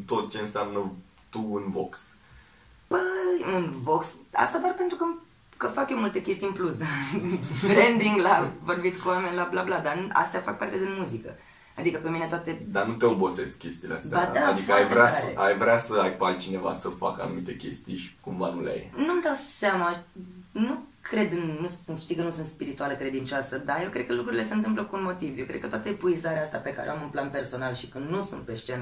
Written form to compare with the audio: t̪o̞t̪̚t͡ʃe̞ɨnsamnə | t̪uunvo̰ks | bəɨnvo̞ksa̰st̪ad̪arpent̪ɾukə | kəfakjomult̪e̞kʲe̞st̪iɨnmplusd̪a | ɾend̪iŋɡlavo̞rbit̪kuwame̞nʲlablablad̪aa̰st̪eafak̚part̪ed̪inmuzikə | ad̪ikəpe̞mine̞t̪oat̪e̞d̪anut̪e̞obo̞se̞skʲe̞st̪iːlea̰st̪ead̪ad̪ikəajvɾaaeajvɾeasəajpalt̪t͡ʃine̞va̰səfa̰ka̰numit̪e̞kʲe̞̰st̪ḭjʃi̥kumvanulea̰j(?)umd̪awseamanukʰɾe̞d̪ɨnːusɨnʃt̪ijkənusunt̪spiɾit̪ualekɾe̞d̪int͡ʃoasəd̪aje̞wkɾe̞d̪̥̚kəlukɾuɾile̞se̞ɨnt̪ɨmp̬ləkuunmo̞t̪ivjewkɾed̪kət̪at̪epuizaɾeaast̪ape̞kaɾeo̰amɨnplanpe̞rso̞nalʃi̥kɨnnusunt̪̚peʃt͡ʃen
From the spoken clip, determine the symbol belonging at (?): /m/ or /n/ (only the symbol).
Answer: n